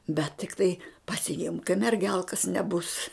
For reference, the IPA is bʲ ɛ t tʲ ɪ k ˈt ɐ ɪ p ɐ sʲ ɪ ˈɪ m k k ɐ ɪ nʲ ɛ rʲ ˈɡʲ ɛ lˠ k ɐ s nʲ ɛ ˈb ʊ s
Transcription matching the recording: bʲ ɛ t tʲ ɪ k ˈt ɐ ɪ p ɐ sʲ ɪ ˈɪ m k k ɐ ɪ mʲ ɛ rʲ ˈɡʲ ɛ lˠ k ɐ s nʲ ɛ ˈb ʊ s